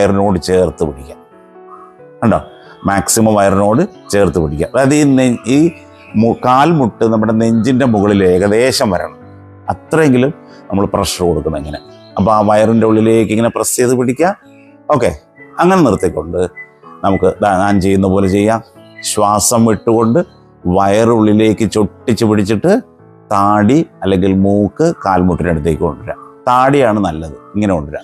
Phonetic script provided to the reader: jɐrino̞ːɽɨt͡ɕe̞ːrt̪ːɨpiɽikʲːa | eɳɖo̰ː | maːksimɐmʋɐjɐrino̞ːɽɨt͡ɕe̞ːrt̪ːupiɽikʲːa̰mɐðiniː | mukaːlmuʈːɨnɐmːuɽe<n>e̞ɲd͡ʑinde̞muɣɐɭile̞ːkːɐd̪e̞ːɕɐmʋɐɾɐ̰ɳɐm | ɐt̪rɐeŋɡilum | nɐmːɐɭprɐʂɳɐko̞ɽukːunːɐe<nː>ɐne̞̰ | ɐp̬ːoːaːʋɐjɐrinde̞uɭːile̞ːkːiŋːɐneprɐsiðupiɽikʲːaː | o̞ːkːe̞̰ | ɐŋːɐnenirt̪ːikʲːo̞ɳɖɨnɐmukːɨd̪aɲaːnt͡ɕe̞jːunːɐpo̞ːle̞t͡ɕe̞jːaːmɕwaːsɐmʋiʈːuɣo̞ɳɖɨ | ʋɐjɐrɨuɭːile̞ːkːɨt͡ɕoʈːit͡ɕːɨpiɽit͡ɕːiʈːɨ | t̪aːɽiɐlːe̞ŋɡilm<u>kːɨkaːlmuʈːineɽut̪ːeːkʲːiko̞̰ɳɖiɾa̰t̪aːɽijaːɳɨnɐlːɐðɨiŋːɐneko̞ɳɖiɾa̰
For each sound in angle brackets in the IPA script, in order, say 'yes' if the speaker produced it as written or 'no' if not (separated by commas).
yes, no, no